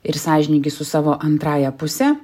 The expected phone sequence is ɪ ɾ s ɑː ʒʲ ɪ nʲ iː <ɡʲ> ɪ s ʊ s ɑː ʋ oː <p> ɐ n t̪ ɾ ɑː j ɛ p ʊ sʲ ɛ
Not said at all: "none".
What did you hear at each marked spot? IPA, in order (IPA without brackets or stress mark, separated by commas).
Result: ɡʲ, ʔ